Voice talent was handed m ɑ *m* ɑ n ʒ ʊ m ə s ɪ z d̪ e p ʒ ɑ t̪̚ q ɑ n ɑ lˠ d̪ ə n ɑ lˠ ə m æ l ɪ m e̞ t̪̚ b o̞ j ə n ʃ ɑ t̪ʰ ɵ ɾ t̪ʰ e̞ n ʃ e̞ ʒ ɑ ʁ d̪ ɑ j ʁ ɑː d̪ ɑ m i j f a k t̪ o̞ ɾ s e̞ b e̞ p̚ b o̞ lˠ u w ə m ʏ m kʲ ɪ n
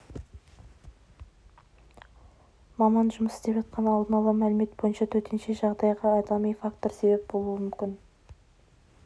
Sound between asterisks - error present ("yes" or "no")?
no